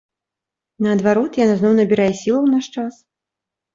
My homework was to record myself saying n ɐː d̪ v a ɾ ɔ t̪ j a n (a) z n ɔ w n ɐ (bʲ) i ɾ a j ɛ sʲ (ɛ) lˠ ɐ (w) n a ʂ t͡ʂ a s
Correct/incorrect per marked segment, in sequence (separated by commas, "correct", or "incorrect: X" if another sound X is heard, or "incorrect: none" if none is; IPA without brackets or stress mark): correct, correct, incorrect: i, correct